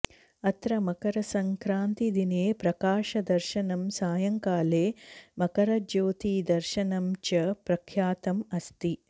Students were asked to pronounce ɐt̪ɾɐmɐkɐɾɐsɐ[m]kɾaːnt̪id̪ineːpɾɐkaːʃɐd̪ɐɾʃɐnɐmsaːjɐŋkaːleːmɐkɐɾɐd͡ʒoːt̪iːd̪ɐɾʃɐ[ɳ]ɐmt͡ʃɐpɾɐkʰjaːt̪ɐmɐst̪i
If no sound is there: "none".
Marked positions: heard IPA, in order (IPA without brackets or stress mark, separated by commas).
ŋ, n